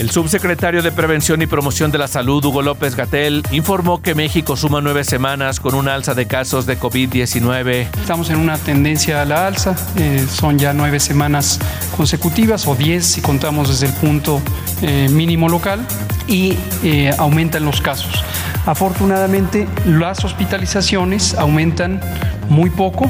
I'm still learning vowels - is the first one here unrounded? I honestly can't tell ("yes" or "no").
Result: yes